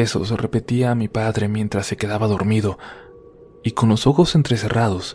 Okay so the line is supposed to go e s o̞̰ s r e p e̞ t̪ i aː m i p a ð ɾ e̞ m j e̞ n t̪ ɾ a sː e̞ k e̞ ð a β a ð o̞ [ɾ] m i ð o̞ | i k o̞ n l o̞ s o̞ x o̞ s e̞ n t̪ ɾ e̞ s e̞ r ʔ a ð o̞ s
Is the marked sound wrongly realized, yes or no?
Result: no